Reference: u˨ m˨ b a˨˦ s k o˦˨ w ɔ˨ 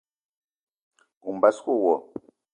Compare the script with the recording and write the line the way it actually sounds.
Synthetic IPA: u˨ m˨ b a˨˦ s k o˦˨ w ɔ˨

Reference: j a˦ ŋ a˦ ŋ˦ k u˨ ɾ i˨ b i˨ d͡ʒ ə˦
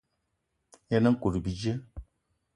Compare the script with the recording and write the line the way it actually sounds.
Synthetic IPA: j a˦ n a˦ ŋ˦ k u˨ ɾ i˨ b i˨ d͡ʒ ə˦

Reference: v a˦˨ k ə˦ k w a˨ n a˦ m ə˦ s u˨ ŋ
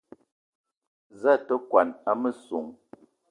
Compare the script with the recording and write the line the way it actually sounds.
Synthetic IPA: z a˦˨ t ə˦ k w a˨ n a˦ m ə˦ s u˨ ŋ

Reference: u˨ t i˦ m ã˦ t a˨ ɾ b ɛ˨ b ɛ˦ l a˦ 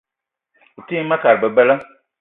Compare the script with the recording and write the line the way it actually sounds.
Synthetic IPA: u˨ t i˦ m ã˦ k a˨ ɾ b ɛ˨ b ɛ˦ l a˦

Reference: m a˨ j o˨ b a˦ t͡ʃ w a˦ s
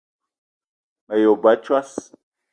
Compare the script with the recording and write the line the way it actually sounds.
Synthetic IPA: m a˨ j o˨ b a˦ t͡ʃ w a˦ s

